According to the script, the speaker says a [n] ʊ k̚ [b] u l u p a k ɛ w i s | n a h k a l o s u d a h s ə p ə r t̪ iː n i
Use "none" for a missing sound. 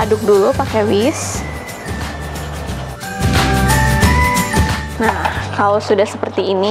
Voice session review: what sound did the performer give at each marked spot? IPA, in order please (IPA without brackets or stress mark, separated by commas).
d, d